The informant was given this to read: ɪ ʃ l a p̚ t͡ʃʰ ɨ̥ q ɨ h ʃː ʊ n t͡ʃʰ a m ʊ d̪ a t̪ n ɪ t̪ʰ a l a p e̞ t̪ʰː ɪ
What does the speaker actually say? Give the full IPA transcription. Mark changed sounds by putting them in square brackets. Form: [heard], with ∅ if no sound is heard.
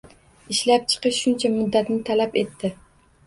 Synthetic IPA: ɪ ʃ l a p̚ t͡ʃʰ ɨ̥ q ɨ [ʃ] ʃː ʊ n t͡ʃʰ a m ʊ [d̪ː] a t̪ n ɪ t̪ʰ a l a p e̞ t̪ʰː ɪ